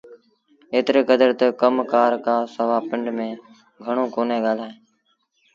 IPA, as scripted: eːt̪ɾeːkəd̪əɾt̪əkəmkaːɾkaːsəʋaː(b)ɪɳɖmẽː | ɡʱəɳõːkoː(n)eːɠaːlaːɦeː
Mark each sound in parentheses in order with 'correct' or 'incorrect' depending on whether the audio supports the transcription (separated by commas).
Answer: incorrect, correct